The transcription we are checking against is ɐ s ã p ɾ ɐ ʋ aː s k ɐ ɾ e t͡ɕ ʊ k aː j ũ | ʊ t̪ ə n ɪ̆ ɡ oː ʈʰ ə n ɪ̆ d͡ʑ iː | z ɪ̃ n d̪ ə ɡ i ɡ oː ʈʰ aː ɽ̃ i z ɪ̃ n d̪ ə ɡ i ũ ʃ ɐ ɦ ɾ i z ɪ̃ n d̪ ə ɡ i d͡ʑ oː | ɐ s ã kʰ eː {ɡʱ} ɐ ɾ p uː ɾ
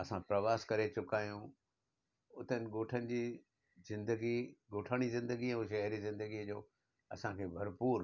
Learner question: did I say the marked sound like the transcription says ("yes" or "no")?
no